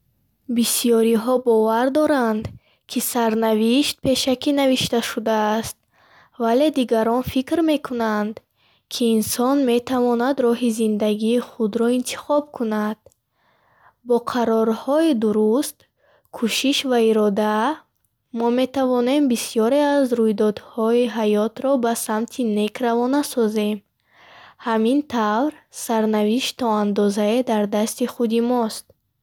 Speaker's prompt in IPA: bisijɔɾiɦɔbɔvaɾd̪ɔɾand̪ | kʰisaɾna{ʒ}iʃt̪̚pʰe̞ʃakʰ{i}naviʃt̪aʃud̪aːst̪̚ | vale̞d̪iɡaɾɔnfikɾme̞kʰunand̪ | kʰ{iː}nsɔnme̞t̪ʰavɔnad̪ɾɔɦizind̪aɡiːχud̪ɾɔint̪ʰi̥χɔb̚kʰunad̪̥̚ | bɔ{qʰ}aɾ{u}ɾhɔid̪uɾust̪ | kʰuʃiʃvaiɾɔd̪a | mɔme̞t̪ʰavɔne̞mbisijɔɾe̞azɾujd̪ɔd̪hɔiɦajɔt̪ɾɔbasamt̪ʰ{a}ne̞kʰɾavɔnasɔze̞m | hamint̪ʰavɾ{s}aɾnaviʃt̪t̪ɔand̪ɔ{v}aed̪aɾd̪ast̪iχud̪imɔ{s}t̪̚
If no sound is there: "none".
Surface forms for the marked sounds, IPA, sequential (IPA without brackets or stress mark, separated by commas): v, i, iː, qʰ, ɔ, i, s, z, s